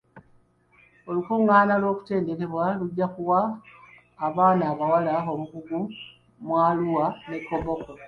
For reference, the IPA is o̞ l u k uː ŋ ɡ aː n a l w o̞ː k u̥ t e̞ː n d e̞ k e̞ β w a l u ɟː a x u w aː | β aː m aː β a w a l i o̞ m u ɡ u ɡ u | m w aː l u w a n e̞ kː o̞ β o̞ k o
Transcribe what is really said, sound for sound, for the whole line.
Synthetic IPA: o̞ l u k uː ŋ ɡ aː n a l w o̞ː k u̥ t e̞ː n d e̞ k e̞ β w a l u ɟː a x u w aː | β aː n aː β a w a l a o̞ m u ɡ u ɡ u | m w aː l u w a n e̞ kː o̞ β o̞ k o

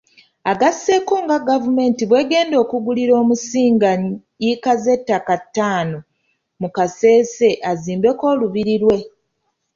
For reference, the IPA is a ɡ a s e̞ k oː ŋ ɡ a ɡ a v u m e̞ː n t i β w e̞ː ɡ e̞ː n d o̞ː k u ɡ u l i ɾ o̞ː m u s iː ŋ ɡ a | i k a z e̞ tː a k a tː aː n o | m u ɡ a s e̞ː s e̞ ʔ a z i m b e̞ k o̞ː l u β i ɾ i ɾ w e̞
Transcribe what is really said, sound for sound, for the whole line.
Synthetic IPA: a ɡ a s e̞ k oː ŋ ɡ a ɡ a v u m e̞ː n t i β w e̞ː ɡ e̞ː n d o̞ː k u ɡ u l i ɾ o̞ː m u s iː ŋ ɡ a | i k a z e̞ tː a k a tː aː n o | m u k a s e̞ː s e̞ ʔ a z iː m b e̞ k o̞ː l u β i ɾ i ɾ w e̞

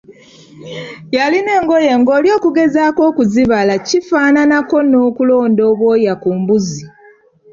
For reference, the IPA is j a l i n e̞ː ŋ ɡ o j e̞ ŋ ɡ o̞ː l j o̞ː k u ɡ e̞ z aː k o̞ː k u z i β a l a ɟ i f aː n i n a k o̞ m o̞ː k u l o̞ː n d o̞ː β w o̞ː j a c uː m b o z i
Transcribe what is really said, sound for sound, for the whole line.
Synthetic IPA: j a l i n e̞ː ŋ ɡ o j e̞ ŋ ɡ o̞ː l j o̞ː k u ɡ e̞ z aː k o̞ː k u z i β a l a c i f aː n a n a k o̞ n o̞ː k u l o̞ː n d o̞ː β w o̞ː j a k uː m b u z i

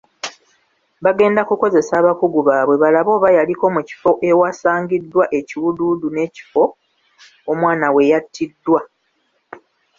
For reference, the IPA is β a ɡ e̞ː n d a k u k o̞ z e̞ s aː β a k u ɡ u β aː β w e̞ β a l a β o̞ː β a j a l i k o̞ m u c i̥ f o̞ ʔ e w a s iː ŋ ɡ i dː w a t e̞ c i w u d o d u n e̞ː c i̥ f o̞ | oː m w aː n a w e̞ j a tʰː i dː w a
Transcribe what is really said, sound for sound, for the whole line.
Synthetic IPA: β a ɡ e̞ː n d a k u k o̞ z e̞ s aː β a k u ɡ u β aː β w e̞ β a l a β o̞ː β a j a l i k o̞ m u c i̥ f o̞ ʔ e w a s aː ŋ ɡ i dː w a ʔ e̞ c i w u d u d u n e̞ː c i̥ f o̞ | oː m w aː n a w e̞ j a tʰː i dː w a

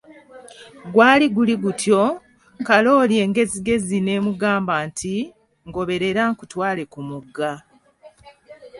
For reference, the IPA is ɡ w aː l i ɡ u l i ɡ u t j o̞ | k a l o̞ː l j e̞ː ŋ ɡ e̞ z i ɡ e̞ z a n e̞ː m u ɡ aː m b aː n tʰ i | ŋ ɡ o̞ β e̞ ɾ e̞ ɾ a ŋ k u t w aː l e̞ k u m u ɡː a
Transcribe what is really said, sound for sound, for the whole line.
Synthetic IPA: ɡ w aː l i ɡ u l i ɡ u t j o̞ | k a l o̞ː l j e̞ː ŋ ɡ e̞ z i ɡ e̞ z i n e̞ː m u ɡ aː m b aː n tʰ i | ŋ ɡ o̞ β e̞ ɾ e̞ ɾ a ŋ k u t w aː l e̞ k u m u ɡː a

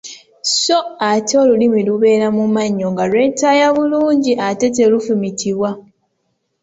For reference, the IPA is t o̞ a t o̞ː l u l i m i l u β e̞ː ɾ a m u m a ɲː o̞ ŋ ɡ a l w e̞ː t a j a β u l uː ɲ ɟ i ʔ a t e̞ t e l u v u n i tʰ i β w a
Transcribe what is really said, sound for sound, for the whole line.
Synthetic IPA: s o̞ a t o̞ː l u l i m i l u β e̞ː ɾ a m u m a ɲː o̞ ŋ ɡ a l w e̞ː t a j a β u l uː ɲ ɟ i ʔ a t e̞ t e l u f u m i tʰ i β w a

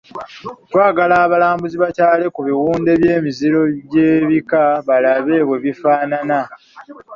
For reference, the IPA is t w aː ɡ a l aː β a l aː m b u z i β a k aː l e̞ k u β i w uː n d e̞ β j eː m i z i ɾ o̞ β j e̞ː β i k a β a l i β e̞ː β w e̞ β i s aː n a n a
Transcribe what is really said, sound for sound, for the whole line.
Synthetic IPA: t w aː ɡ a l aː β a l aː m b u z i β a c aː l e̞ k u β i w uː n d e̞ β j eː m i z i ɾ o̞ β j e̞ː β i k a β a l a β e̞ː β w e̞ β i f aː n a n a

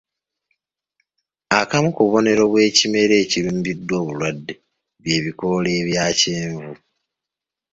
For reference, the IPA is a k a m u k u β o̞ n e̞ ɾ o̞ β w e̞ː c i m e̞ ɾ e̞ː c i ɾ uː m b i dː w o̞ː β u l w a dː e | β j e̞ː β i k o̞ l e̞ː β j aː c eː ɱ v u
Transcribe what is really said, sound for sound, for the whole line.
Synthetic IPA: a k a m u k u β o̞ n e̞ ɾ o̞ β w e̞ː c i m e̞ ɾ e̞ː c i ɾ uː m b i dː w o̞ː β u l w a dː e | β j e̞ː β i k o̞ l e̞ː β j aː c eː ɱ v u

